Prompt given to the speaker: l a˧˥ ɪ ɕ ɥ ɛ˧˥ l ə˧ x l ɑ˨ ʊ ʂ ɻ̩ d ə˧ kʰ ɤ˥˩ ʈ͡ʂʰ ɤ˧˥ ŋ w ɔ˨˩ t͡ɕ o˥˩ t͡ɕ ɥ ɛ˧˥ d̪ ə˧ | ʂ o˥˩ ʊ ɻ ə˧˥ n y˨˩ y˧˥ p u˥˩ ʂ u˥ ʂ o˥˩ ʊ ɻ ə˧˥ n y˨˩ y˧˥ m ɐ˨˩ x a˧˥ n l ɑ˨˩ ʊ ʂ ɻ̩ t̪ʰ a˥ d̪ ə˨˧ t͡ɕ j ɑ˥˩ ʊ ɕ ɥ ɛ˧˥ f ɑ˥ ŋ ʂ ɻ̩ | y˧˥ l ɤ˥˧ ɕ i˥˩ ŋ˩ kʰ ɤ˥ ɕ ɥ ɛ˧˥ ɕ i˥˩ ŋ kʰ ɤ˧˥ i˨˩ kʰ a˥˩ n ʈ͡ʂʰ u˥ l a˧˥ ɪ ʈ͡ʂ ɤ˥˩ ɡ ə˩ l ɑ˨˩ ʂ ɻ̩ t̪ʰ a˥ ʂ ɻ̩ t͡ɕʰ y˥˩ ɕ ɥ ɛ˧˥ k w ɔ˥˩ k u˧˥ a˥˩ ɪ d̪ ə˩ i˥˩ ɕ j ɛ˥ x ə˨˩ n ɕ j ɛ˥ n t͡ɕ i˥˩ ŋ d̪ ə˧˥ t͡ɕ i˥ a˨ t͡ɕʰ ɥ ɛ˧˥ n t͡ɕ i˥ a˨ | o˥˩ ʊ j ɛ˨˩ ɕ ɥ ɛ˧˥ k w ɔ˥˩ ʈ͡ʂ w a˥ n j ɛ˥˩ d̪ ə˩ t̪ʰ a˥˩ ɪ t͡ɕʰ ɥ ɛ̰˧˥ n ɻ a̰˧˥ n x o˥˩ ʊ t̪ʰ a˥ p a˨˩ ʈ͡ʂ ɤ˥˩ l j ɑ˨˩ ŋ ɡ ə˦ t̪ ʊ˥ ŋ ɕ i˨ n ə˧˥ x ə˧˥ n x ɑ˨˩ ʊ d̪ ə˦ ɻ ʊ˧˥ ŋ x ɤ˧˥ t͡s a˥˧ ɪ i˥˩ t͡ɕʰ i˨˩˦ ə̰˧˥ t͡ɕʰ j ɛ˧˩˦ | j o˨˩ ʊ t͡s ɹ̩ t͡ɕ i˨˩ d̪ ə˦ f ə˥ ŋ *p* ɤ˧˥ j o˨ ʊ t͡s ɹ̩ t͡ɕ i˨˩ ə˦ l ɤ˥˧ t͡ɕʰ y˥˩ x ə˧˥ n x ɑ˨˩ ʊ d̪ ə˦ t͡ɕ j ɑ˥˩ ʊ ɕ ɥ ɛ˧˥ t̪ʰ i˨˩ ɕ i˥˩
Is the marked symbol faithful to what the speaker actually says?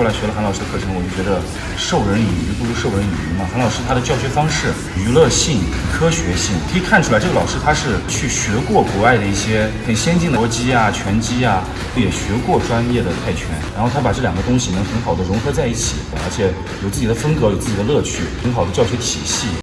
no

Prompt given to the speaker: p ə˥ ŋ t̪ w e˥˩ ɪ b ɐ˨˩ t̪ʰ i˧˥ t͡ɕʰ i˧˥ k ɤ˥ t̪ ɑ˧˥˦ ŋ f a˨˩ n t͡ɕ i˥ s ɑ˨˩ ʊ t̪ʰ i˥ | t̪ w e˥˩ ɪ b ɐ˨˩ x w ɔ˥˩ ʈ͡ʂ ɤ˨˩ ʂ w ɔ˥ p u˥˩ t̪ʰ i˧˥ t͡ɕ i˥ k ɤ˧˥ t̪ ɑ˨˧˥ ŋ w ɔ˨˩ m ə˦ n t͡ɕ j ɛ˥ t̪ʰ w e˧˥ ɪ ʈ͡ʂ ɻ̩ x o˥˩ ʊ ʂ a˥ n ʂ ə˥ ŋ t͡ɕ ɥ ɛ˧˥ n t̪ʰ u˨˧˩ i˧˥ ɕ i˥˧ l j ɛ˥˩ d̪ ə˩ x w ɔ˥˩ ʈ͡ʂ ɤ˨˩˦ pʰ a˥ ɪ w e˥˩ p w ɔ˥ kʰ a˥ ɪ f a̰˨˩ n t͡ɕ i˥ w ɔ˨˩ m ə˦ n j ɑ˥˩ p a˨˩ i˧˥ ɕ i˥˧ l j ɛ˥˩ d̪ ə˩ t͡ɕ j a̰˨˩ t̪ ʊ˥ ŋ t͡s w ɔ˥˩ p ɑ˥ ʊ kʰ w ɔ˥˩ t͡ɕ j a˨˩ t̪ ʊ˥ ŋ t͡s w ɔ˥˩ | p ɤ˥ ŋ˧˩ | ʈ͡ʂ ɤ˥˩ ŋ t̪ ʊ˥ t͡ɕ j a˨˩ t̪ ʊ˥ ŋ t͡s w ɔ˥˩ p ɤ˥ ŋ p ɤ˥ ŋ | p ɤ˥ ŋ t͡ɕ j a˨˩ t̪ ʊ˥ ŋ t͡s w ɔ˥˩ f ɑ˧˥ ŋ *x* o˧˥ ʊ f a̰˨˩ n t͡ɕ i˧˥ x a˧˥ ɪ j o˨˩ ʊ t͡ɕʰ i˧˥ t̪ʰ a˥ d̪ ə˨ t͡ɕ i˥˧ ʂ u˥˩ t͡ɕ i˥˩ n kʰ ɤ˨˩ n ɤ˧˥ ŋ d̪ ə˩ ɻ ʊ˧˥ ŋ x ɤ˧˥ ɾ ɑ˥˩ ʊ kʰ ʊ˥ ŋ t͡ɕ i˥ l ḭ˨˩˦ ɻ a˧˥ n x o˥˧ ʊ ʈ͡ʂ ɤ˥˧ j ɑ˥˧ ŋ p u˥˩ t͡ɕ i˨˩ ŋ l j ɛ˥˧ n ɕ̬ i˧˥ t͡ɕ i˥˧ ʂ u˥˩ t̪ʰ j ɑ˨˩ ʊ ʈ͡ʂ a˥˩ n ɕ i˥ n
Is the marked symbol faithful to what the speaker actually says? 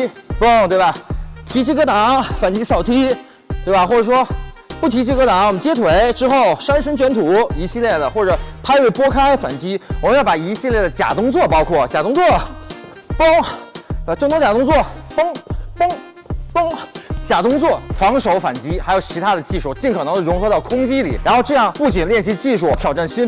no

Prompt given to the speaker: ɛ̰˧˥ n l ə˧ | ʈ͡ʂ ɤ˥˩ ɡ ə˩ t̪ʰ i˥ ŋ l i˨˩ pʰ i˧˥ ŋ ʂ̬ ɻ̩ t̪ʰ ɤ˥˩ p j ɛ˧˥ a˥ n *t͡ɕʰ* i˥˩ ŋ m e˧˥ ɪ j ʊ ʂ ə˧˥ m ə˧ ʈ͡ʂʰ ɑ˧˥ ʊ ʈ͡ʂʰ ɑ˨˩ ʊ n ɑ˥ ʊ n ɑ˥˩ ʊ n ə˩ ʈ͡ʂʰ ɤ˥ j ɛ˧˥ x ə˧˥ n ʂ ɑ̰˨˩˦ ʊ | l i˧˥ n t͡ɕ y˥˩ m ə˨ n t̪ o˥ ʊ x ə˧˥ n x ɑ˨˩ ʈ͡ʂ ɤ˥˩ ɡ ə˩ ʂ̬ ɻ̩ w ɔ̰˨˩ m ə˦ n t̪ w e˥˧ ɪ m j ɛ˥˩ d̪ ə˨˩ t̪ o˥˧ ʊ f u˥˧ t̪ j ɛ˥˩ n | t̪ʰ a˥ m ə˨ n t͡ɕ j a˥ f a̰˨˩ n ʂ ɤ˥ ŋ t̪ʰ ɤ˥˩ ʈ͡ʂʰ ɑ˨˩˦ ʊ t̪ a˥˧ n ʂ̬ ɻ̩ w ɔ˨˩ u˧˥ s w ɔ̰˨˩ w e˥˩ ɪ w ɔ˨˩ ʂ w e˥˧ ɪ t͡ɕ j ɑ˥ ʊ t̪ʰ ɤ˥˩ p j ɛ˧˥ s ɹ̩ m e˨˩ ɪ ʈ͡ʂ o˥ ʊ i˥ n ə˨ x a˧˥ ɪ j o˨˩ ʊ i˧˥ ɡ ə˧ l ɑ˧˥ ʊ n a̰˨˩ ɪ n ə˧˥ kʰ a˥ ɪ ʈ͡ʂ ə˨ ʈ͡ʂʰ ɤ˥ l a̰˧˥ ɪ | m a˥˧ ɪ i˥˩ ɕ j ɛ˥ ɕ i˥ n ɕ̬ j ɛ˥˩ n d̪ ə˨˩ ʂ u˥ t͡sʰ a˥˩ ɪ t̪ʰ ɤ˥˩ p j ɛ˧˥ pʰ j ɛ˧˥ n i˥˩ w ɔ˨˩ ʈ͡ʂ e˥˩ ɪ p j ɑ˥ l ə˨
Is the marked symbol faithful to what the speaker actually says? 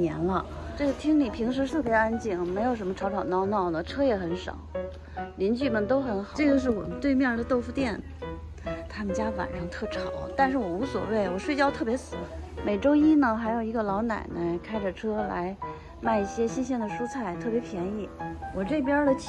no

